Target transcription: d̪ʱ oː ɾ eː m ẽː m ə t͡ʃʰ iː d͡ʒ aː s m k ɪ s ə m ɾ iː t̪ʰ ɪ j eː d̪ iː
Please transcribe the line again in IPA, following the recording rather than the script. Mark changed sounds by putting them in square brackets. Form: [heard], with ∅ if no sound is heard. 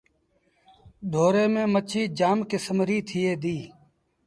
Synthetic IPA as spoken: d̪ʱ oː ɾ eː m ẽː m ə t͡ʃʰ iː d͡ʒ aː [∅] m k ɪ s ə m ɾ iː t̪ʰ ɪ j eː d̪ iː

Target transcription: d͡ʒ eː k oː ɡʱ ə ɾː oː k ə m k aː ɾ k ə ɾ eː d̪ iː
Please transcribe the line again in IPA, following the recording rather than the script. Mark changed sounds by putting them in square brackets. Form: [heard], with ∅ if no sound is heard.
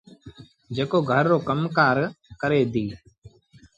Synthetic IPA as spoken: d͡ʒ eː k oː ɡʱ ə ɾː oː k ə m k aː ɾ k ə ɾ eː d̪ iː

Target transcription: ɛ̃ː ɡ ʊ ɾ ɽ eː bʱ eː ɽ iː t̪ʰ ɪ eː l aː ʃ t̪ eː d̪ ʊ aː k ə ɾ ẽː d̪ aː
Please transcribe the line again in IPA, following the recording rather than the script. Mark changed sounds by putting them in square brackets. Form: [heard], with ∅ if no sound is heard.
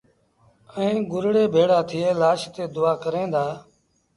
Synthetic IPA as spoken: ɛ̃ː ɡ ʊ ɾ ɽ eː bʱ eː ɽ [aː] t̪ʰ ɪ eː l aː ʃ t̪ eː d̪ ʊ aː k ə ɾ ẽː d̪ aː

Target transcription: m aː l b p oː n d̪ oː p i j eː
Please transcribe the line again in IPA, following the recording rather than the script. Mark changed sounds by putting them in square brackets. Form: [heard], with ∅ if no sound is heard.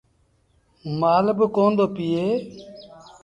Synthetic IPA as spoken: m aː l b [k] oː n d̪ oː p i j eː

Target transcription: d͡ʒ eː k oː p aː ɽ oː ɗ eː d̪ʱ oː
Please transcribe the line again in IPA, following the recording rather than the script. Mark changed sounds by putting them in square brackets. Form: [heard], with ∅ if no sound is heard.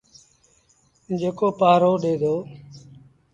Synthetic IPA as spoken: d͡ʒ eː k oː p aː [ɾ] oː ɗ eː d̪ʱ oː

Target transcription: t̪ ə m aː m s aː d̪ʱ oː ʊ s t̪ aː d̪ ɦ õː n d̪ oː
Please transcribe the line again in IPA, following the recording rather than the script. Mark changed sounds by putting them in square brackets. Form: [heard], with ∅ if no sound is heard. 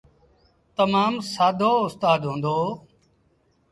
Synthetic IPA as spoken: t̪ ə m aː m s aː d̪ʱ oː ʊ s t̪ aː d̪ ɦ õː n d̪ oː

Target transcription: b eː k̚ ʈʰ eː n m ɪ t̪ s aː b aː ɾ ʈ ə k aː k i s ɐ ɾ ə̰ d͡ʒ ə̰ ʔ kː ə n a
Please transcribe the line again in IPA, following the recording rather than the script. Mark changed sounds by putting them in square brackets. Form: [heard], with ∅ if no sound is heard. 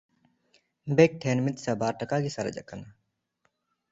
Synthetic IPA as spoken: b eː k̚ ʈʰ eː n m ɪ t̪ s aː b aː ɾ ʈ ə k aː [ɡ] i s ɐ ɾ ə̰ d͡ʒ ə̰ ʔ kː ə n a

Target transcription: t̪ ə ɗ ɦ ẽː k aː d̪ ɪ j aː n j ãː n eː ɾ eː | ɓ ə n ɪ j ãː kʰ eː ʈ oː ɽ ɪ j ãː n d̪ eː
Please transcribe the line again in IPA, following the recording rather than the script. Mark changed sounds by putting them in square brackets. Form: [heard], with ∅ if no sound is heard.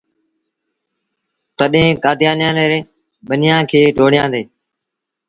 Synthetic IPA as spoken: t̪ ə ɗ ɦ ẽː k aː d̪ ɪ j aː n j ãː n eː ɾ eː | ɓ ə n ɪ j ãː kʰ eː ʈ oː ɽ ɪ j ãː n d̪ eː

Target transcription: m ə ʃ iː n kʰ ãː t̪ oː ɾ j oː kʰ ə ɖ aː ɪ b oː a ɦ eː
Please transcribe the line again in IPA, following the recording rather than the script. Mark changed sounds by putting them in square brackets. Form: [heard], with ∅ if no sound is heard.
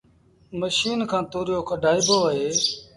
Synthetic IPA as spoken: m ə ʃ iː n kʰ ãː t̪ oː ɾ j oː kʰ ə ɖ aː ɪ b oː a ɦ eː

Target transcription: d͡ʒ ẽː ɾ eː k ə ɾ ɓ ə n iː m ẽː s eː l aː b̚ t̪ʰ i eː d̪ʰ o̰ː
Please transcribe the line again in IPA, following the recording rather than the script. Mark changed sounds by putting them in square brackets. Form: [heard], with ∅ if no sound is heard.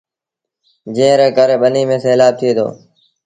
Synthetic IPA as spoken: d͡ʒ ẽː ɾ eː k ə ɾ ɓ ə n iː m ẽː s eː l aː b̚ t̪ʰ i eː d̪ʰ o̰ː

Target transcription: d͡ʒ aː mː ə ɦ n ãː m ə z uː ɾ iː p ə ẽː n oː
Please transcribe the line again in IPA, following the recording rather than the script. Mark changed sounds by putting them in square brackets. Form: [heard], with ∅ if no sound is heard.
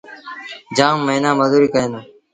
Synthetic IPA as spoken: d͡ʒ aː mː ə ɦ n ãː m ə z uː ɾ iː [k] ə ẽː n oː

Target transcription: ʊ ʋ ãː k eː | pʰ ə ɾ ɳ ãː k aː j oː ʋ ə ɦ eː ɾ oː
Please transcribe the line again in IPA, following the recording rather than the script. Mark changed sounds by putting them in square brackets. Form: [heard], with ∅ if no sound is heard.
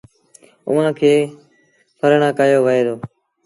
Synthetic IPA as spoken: ʊ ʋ ãː [kʰ] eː | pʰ ə ɾ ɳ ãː k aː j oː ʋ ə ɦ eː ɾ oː

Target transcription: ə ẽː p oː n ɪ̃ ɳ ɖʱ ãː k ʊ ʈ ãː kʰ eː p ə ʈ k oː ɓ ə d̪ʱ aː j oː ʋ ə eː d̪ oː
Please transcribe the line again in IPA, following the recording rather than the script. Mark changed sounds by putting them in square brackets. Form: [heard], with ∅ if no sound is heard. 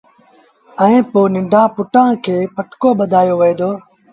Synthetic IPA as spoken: ə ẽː p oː n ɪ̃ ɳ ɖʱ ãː [p] ʊ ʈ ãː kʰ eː p ə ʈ k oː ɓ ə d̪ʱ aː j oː ʋ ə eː d̪ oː

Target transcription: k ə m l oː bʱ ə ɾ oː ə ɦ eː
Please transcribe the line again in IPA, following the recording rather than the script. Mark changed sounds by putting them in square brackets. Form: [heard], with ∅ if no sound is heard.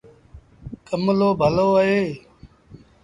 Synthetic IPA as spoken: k ə m l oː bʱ ə [l] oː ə ɦ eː

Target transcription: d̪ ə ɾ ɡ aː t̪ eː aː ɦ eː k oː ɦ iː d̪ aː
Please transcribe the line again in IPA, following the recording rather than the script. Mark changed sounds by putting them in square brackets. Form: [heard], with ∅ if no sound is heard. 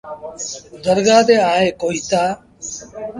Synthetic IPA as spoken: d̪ ə ɾ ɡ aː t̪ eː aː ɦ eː k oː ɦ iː [t̪] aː

